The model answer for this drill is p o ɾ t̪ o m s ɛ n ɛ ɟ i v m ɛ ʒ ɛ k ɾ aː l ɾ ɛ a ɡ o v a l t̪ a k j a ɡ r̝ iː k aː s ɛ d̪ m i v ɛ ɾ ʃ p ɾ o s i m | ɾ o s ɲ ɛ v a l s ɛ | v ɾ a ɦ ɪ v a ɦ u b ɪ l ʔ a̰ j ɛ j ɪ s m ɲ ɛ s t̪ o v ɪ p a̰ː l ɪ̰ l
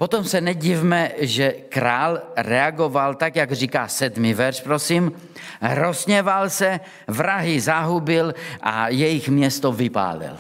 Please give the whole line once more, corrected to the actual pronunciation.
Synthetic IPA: p o t̪ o m s ɛ n ɛ ɟ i v m ɛ ʒ ɛ k ɾ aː l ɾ ɛ a ɡ o v a l t̪ a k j a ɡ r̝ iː k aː s ɛ d̪ m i v ɛ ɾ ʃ p ɾ o s i m | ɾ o s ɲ ɛ v a l s ɛ | v ɾ a ɦ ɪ z a ɦ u b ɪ l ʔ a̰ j ɛ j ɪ x m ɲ ɛ s t̪ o v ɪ p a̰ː l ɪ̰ l